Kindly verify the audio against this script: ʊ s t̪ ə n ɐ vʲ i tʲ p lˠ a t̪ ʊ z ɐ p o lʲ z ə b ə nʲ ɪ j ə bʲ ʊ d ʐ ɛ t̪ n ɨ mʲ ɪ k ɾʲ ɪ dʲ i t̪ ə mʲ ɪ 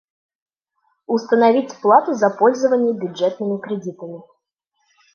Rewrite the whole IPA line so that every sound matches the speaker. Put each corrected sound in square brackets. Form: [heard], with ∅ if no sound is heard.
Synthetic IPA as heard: ʊ s t̪ ə n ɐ vʲ i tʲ p lˠ a t̪ ʊ z ɐ p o lʲ z ə [v] ə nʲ ɪ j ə bʲ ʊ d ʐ ɛ t̪ n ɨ mʲ ɪ k ɾʲ ɪ dʲ i t̪ ə mʲ ɪ